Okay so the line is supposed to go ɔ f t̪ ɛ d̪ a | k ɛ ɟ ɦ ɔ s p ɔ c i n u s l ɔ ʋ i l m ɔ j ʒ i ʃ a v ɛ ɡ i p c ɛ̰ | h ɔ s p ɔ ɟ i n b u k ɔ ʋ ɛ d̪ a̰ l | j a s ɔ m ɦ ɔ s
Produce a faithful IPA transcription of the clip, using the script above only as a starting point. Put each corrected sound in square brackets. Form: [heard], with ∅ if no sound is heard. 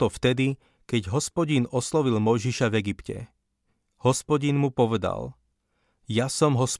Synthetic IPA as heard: ɔ f t̪ ɛ d̪ [i] | k ɛ ɟ ɦ ɔ s p ɔ [ɟ] i n [ɔ] s l ɔ ʋ i l m ɔ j ʒ i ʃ a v ɛ ɡ i p c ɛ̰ | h ɔ s p ɔ ɟ i n [m] u [p] ɔ ʋ ɛ d̪ a̰ l | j a s ɔ m ɦ ɔ s